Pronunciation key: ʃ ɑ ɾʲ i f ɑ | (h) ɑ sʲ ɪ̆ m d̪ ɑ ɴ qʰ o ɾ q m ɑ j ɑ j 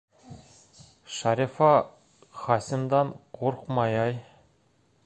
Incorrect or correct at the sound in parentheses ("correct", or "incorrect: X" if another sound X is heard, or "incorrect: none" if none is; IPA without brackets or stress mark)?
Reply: incorrect: χ